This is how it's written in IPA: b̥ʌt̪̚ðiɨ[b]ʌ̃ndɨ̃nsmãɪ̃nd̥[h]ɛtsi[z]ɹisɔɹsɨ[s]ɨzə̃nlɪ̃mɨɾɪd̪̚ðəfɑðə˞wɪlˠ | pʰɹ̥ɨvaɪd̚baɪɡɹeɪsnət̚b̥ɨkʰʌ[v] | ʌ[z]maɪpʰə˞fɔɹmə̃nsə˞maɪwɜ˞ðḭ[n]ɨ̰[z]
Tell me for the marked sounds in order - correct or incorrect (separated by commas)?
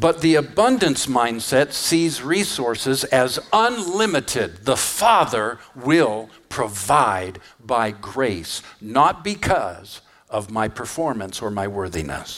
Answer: correct, incorrect, correct, incorrect, incorrect, incorrect, correct, incorrect